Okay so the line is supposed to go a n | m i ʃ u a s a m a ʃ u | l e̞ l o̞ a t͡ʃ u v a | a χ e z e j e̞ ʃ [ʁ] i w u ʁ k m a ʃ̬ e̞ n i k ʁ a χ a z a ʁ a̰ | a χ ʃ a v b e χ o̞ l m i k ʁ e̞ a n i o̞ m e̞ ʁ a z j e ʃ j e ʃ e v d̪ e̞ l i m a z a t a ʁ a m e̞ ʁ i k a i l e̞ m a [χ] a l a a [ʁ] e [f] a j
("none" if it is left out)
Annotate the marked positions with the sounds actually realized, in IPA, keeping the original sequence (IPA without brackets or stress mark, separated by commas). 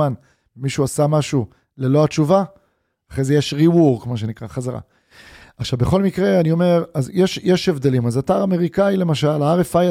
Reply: ʁ, ʃ, ʁ, f